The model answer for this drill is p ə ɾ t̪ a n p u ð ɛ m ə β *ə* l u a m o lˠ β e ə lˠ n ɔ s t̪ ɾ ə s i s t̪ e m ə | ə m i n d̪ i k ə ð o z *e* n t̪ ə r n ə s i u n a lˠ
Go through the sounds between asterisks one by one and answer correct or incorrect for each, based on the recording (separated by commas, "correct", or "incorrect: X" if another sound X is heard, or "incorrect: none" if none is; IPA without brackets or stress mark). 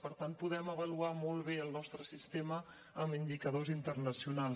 correct, incorrect: i